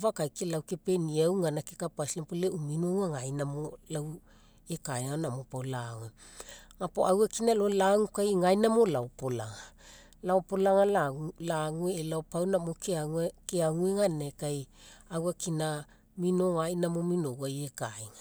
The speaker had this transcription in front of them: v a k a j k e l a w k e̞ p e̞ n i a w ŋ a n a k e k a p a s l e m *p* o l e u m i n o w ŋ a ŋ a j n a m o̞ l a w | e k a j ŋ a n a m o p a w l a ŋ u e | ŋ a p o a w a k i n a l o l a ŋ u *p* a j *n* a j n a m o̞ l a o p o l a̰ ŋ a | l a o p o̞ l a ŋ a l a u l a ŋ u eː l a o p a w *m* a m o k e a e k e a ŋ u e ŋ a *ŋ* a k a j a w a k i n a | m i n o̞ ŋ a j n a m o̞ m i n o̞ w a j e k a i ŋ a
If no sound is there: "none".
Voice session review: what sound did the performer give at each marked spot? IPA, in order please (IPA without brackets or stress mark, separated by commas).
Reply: p, k, ŋ, n, n